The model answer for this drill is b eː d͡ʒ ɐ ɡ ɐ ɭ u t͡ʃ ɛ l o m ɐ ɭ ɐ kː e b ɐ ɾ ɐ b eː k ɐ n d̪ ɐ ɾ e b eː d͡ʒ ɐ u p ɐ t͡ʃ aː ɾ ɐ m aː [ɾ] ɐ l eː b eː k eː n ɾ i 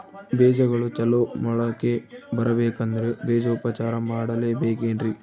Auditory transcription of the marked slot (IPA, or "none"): ɽ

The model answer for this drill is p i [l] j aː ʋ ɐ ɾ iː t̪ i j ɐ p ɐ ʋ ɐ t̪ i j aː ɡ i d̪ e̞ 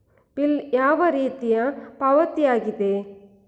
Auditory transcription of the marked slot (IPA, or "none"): l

